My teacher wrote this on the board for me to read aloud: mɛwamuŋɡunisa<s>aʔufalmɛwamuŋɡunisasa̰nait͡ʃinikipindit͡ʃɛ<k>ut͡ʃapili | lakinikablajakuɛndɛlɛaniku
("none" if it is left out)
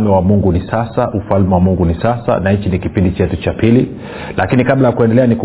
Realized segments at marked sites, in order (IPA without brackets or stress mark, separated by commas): s, t